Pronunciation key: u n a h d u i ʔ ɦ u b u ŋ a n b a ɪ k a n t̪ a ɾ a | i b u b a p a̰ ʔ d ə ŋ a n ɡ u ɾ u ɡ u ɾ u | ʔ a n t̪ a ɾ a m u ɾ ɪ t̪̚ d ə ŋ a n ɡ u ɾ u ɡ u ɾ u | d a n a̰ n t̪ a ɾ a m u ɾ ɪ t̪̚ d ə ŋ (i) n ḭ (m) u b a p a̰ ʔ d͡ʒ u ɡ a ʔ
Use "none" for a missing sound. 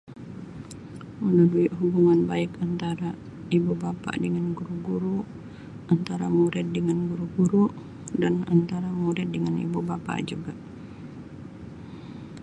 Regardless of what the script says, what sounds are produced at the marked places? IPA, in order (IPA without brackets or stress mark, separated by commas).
a, b